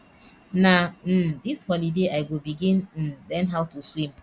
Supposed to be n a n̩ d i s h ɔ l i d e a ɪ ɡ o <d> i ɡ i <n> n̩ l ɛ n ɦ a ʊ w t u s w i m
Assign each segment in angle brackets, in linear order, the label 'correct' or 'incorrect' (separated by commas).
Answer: incorrect, correct